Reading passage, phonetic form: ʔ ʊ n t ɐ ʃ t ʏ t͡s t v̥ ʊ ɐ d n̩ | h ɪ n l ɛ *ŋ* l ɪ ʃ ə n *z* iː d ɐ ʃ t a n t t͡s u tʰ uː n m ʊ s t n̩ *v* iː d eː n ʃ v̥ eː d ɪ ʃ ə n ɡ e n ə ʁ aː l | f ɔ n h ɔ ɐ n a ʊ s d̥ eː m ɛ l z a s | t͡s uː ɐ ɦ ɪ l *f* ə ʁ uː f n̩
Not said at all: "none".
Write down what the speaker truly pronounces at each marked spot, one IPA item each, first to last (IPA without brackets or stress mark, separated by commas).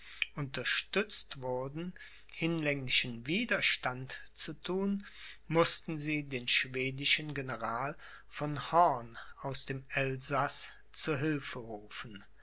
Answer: ŋ, v, z, f